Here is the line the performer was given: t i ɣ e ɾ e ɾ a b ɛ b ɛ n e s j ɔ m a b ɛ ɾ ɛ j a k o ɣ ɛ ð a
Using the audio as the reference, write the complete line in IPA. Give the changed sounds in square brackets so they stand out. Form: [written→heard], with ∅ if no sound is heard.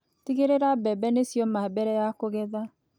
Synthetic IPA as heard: t i ɣ e ɾ e ɾ a b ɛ b ɛ n e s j ɔ m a b ɛ ɾ ɛ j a k o ɣ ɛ ð a